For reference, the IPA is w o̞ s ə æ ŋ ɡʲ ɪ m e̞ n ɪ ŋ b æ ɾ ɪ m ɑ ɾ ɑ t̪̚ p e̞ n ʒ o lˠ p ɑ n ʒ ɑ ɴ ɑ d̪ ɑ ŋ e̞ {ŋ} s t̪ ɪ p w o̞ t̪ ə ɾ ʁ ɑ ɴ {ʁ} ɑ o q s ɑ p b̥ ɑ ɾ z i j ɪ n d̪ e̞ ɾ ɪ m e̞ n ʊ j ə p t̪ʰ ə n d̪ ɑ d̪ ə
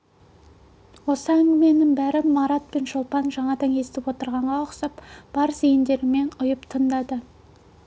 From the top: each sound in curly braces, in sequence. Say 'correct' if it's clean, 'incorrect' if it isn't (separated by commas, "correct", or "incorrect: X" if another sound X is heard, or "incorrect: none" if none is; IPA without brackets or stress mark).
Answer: incorrect: none, correct